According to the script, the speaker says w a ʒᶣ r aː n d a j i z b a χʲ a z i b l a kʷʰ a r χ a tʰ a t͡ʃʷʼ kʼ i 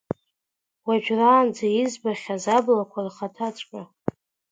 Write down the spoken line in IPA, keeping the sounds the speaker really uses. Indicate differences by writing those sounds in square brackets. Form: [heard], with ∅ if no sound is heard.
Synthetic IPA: w a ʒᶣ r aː n [d͡z] a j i z b a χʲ a z [a] b l a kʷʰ a r χ a tʰ a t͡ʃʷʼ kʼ [a]